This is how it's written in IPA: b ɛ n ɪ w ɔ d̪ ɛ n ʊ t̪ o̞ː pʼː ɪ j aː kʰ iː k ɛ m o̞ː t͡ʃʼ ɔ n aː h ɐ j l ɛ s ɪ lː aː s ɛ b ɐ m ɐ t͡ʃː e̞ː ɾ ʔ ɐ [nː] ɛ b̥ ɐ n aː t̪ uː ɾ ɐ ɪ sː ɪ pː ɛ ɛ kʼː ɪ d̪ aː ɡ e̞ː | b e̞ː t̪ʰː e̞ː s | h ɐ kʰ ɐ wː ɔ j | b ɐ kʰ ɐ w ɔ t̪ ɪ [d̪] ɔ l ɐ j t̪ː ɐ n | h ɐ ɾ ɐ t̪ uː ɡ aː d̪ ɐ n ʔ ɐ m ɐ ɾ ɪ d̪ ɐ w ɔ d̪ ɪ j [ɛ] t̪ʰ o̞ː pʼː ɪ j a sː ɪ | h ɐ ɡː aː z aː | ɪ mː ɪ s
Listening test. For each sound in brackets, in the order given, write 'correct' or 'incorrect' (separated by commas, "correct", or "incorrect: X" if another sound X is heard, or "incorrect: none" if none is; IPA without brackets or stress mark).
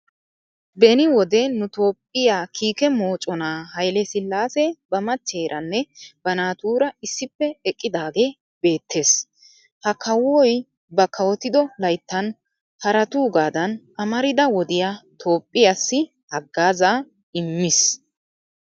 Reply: correct, correct, incorrect: a